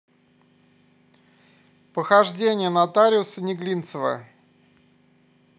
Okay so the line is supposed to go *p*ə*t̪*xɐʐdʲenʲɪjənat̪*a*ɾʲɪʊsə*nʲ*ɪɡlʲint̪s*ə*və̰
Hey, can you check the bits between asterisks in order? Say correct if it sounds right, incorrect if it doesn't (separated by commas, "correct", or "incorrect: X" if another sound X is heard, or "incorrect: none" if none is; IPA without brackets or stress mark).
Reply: correct, incorrect: none, correct, correct, correct